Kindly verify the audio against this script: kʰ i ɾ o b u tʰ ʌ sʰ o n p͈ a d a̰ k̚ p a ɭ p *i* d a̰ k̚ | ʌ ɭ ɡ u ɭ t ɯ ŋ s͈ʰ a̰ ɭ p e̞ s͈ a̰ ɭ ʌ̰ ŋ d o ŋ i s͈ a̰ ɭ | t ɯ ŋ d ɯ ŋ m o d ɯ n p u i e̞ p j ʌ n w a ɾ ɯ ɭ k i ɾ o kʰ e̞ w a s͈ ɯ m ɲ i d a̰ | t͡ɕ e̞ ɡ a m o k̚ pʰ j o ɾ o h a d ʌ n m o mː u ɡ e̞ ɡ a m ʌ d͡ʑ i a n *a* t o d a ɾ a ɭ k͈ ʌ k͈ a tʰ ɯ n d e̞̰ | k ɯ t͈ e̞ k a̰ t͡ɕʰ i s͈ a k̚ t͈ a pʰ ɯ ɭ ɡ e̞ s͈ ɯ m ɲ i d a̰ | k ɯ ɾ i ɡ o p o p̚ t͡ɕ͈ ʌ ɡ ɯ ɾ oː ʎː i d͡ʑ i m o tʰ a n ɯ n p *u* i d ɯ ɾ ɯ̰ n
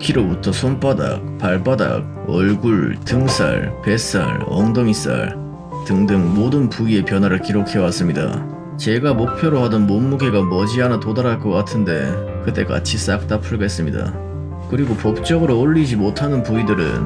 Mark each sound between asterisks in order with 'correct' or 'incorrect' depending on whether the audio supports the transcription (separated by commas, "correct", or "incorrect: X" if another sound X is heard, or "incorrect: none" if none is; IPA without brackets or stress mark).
incorrect: a, correct, correct